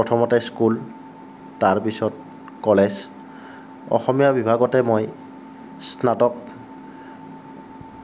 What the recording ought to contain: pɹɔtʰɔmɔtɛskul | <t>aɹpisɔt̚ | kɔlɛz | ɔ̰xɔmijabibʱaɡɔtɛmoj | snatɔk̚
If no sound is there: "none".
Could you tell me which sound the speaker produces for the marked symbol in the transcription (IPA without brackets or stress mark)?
t